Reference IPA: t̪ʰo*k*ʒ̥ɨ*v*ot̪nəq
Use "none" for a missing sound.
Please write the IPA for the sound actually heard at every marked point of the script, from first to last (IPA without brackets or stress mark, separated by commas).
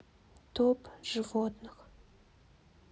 p, v